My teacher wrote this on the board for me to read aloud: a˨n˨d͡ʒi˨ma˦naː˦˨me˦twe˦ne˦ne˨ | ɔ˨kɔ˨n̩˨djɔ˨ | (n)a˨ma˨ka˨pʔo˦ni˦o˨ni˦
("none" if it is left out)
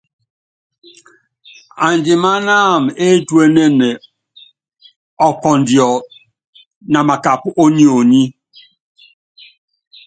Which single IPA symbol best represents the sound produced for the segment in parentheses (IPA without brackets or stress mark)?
n